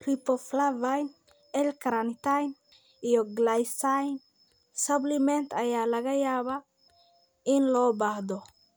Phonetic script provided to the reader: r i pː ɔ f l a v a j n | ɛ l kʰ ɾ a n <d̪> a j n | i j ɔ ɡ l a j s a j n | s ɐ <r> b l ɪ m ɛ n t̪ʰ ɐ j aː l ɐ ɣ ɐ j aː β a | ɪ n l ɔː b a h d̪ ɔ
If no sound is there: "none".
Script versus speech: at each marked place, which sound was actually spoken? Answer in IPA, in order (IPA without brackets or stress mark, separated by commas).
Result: t̪, none